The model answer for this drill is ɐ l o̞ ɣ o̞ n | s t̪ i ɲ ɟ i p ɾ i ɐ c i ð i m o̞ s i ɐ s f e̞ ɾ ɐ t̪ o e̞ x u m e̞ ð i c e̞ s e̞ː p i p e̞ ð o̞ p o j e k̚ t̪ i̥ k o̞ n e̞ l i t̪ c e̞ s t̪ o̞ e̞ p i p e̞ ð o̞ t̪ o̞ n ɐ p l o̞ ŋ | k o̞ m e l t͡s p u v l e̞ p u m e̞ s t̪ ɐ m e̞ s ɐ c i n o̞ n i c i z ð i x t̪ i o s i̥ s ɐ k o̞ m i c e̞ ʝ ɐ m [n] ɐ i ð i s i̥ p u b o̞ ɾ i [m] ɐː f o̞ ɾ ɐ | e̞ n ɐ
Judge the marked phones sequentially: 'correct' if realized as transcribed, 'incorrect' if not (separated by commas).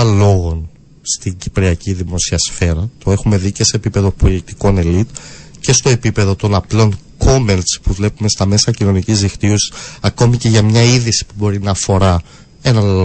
incorrect, incorrect